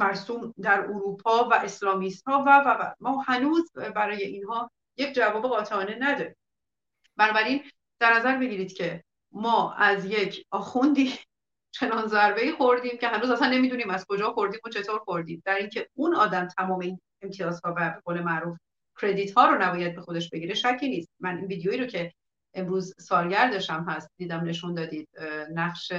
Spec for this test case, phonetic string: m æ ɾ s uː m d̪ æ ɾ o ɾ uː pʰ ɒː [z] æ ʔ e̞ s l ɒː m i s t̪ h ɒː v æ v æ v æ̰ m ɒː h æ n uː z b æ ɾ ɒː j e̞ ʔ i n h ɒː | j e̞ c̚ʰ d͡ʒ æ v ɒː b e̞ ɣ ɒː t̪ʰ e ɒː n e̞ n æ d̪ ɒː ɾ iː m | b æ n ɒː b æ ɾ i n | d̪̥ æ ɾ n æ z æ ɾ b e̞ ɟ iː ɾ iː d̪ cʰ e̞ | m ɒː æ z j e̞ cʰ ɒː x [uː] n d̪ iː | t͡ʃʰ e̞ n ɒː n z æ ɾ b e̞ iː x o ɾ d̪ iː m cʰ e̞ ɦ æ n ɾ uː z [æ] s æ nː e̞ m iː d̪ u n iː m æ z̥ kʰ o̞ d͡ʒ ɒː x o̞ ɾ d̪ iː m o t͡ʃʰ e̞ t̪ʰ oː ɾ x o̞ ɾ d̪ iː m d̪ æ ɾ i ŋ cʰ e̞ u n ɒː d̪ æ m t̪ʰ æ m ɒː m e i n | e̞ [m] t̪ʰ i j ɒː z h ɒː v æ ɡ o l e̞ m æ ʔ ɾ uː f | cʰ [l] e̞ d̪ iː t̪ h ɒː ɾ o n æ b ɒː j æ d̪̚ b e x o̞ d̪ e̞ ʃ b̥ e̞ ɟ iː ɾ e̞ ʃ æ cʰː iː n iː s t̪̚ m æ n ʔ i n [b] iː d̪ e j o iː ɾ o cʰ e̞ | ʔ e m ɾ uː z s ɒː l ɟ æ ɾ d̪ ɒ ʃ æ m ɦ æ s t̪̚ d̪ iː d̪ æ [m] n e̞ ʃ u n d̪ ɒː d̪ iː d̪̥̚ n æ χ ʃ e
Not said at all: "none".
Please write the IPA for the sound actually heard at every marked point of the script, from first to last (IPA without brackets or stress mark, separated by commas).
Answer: v, u, æ, m, ɾ, v, m